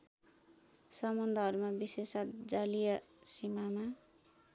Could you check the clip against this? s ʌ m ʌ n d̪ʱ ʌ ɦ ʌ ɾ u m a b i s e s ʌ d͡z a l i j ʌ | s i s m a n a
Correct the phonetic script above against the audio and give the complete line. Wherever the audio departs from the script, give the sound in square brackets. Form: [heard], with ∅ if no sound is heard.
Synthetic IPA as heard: s ʌ m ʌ n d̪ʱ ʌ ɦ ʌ ɾ u m a b i s e s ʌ d͡z a l i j ʌ | s i [∅] m a [m] a